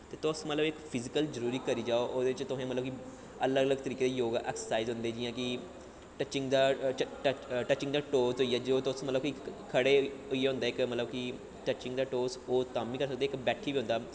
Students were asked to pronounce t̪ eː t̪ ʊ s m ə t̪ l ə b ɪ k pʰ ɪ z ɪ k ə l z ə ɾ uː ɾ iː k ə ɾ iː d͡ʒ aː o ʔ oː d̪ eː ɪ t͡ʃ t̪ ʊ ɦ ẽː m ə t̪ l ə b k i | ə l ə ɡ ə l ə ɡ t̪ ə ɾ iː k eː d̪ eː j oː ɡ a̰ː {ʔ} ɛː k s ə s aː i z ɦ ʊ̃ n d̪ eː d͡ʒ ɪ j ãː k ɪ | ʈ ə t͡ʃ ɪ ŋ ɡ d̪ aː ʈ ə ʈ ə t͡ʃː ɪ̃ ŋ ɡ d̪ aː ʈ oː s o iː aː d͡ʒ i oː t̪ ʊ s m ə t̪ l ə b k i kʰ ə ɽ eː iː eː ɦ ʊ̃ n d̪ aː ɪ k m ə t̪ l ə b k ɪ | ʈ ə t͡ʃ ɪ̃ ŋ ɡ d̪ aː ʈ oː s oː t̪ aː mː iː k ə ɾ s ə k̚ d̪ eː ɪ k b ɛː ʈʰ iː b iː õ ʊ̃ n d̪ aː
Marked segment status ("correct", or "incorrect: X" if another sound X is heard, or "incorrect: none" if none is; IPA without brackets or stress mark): correct